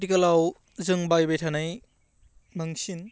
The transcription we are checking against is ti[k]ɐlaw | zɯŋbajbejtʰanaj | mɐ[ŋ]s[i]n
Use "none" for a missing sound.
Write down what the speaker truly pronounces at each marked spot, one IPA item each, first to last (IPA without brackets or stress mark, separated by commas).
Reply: k, ŋ, i